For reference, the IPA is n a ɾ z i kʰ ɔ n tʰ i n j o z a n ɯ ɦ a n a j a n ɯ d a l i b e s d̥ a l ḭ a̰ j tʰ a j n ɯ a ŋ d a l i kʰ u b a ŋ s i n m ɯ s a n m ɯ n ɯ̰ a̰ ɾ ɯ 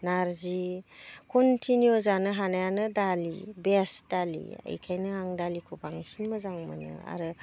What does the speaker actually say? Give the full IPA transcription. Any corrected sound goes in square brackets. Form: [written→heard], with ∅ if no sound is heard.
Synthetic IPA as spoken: n a ɾ z i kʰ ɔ n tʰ i n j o z a n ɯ ɦ a n a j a n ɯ d a l i b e s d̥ a l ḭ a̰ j [tʰ→kʰ] a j n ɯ a ŋ d a l i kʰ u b a ŋ s i n m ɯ [s→z] a [n→ŋ] m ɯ n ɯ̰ a̰ ɾ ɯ